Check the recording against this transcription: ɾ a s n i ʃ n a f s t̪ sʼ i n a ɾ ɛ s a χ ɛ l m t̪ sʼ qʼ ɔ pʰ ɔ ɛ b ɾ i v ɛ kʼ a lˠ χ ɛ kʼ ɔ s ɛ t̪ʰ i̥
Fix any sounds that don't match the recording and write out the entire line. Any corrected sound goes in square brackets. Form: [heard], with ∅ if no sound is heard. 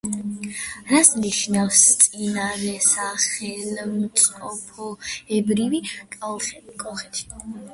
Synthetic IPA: ɾ a s n i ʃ n a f s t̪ sʼ i n a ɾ ɛ s a χ ɛ l m t̪ sʼ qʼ ɔ pʰ ɔ ɛ b ɾ i v [i] kʼ a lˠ χ ɛ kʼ ɔ [χ] ɛ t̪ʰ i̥